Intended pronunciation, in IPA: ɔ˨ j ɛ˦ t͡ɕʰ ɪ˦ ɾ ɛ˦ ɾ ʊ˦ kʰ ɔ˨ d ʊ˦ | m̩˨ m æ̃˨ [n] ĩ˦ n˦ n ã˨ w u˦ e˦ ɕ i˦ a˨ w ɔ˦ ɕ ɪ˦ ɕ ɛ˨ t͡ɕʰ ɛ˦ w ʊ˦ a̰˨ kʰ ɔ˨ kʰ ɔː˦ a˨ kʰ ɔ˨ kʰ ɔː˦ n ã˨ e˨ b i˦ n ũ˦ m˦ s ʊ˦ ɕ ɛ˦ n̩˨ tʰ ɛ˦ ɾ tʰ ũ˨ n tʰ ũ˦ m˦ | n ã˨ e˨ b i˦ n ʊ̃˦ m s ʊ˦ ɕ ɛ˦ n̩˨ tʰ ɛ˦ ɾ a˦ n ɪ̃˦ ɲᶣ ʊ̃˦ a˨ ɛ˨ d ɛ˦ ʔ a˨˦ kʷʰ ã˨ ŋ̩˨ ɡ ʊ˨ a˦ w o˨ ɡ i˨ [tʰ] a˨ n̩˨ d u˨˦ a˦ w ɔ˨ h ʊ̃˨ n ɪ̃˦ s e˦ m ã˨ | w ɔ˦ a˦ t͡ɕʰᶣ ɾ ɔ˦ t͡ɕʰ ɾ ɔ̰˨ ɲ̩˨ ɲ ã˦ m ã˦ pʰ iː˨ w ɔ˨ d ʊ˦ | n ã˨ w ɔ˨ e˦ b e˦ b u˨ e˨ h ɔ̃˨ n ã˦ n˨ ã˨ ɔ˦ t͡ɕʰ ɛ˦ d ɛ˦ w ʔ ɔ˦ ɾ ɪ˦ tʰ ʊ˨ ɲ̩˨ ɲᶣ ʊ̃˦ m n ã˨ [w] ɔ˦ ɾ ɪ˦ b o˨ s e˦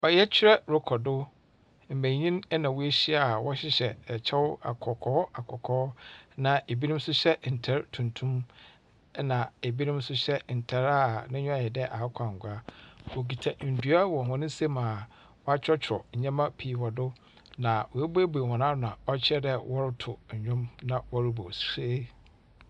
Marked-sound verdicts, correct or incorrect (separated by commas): incorrect, correct, correct